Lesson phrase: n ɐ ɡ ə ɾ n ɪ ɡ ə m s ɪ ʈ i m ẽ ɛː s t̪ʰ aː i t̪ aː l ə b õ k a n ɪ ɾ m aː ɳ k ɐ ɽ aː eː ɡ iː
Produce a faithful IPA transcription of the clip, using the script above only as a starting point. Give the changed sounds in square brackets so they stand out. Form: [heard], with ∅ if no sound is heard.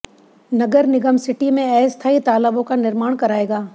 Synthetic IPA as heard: n ɐ ɡ ə ɾ n ɪ ɡ ə m s ɪ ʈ i m ẽ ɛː s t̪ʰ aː i t̪ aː l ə b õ k a n ɪ ɾ m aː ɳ k ɐ [ɾ] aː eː ɡ [aː]